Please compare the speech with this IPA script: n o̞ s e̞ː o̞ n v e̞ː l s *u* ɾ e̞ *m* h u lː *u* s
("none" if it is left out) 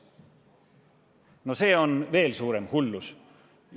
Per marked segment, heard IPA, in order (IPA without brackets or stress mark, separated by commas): uː, m, u